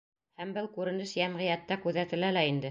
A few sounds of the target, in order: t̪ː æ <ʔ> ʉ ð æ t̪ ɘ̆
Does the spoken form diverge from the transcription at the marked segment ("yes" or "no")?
yes